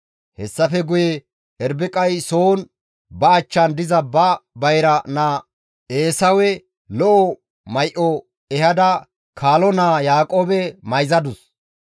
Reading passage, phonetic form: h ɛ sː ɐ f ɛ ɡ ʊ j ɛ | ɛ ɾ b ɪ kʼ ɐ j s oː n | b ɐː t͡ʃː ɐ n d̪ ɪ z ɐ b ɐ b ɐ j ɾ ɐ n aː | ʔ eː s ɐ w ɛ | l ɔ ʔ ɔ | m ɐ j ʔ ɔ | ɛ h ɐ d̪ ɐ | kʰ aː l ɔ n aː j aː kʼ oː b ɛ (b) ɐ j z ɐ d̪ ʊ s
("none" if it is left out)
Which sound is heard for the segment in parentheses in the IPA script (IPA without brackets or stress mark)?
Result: m